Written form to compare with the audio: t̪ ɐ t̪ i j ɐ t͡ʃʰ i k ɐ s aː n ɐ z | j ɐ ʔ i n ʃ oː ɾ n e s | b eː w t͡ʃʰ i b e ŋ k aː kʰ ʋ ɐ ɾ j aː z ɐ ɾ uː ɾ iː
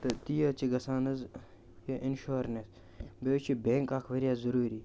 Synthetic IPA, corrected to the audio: t̪ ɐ t̪ i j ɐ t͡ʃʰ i ɡ ɐ s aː n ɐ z | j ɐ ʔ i n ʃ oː ɾ n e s | b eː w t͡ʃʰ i b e ŋ k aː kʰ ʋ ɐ ɾ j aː z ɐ ɾ uː ɾ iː